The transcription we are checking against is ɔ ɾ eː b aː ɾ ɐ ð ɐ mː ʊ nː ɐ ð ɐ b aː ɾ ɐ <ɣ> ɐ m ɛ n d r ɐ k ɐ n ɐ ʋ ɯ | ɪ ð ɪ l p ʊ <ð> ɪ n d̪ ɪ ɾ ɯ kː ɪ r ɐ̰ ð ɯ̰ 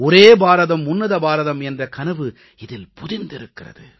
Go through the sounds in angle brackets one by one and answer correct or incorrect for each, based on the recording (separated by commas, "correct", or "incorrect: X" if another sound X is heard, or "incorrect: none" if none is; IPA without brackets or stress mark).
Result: incorrect: ð, correct